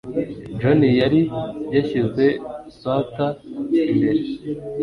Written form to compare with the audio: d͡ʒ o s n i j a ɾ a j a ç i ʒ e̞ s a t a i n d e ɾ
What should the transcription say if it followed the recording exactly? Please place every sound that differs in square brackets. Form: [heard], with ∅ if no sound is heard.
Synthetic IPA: d͡ʒ o [∅] n i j a ɾ [i] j a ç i [z] e̞ s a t a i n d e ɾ